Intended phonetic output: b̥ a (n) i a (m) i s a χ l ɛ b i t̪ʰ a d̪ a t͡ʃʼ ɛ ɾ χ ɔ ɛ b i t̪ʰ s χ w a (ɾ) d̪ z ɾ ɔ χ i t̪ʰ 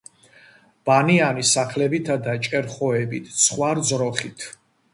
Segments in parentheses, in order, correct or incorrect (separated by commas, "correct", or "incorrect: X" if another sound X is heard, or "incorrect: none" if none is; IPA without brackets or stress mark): correct, incorrect: n, correct